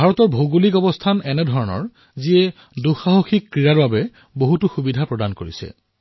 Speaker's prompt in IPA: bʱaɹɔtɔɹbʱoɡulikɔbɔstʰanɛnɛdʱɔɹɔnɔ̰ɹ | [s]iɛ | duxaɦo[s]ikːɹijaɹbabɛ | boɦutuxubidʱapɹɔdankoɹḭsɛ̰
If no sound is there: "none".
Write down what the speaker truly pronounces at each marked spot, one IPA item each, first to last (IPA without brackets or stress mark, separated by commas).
z, x